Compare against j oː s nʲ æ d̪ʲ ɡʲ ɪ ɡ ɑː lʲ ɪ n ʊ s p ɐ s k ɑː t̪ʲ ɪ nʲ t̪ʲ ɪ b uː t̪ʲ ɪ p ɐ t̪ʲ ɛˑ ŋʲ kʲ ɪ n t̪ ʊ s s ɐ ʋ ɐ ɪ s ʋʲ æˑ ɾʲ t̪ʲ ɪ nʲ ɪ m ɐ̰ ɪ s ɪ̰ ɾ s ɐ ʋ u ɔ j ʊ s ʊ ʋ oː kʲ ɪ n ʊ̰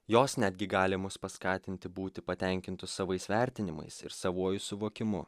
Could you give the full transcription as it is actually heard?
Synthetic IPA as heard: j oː s nʲ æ d̪ʲ ɡʲ ɪ ɡ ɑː lʲ ɪ m ʊ s p ɐ s k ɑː t̪ʲ ɪ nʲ t̪ʲ ɪ b uː t̪ʲ ɪ p ɐ t̪ʲ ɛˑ ŋʲ kʲ ɪ n t̪ ʊ s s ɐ ʋ ɐ ɪ s ʋʲ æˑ ɾʲ t̪ʲ ɪ nʲ ɪ m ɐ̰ ɪ s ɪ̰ ɾ s ɐ ʋ u ɔ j ʊ s ʊ ʋ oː kʲ ɪ m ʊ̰